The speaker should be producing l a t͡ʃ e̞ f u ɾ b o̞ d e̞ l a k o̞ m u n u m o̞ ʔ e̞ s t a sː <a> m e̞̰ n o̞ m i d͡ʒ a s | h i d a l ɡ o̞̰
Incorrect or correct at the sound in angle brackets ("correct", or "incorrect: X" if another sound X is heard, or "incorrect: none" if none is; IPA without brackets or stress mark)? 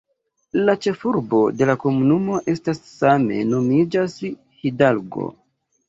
correct